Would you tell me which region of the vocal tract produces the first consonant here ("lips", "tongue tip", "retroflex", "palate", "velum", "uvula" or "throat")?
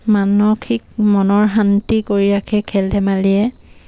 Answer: lips